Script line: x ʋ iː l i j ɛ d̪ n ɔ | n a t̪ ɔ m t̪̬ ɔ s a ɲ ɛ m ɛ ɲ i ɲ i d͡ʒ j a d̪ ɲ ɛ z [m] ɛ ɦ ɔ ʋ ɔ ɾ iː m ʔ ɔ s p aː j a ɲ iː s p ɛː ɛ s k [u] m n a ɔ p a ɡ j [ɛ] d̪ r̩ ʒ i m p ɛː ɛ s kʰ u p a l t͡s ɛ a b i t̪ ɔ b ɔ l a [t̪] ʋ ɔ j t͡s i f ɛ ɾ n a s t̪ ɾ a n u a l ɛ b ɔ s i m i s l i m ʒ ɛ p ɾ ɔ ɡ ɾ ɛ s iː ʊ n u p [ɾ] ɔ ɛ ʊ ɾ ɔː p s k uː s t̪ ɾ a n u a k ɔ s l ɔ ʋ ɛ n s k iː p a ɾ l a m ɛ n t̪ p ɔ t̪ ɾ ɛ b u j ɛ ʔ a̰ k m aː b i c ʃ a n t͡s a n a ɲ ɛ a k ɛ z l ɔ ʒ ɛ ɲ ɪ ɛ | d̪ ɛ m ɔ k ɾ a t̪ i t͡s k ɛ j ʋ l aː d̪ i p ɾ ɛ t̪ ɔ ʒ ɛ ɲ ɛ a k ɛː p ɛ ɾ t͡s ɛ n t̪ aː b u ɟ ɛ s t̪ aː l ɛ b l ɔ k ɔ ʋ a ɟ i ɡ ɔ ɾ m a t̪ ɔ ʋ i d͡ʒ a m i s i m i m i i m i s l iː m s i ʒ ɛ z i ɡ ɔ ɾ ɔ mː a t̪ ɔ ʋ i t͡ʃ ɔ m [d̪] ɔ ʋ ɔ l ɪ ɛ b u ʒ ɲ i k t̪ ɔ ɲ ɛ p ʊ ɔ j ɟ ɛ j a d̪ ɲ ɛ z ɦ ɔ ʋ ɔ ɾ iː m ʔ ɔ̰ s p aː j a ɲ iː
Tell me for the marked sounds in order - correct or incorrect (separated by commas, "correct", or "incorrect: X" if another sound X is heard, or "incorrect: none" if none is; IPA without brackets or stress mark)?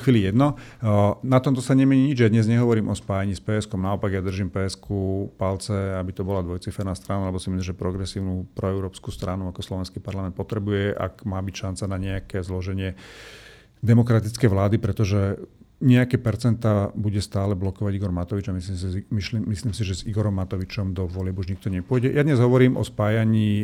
incorrect: ɲ, incorrect: ɔ, incorrect: a, incorrect: d̪, correct, correct